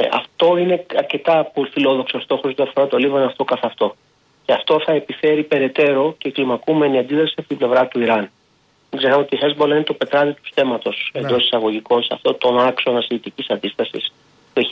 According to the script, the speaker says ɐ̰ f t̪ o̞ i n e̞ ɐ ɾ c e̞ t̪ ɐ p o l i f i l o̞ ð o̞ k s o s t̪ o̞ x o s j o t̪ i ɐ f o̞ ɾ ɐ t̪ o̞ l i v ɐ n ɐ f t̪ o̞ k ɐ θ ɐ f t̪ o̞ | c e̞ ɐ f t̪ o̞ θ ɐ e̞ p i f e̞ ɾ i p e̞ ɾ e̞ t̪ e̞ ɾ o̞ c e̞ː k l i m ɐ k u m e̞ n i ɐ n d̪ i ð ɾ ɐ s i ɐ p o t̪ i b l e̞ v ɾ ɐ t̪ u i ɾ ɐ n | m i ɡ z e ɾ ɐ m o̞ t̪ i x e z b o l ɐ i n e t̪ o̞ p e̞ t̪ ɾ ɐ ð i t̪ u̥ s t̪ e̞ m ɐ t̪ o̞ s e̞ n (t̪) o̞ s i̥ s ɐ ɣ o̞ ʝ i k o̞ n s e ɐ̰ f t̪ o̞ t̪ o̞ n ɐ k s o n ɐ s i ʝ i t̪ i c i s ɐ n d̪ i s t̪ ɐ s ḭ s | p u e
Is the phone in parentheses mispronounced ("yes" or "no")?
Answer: yes